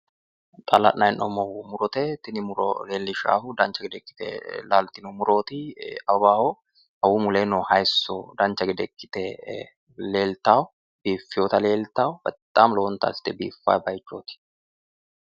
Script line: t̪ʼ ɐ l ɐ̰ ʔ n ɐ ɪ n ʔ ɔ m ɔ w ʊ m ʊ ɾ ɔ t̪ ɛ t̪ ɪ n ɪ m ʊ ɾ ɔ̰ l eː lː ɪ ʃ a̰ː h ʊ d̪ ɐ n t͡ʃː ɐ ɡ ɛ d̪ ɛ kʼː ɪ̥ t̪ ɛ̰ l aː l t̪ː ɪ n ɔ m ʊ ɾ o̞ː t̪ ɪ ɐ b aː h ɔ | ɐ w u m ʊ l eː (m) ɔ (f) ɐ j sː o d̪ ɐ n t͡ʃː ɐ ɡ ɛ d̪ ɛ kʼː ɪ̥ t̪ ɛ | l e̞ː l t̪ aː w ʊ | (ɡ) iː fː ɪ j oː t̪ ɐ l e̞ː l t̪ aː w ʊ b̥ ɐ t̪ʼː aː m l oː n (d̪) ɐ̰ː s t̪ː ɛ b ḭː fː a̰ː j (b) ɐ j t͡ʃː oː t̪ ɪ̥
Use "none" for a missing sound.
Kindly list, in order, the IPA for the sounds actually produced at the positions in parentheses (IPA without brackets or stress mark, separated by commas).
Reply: n, h, b, t̪, b